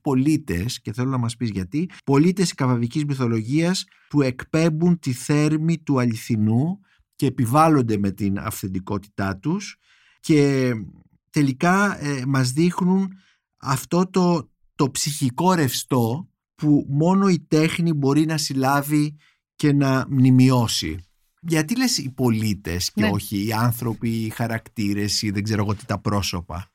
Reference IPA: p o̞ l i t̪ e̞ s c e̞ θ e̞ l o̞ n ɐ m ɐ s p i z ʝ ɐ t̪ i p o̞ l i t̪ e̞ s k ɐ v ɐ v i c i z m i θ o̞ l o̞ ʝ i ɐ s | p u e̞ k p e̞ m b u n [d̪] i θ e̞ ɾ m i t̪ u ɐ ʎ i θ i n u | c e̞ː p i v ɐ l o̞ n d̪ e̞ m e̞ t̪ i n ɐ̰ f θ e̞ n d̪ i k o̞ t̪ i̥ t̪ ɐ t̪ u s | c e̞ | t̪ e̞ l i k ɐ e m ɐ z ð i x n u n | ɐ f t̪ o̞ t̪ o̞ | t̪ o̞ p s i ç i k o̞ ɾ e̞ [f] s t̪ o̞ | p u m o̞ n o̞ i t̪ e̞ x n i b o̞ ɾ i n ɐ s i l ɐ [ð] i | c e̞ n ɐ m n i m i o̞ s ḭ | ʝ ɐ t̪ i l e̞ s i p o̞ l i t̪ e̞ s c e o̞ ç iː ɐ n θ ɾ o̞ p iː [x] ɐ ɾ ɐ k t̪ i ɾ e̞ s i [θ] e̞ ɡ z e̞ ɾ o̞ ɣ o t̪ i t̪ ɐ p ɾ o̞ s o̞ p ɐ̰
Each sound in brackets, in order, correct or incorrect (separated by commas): incorrect, correct, incorrect, correct, incorrect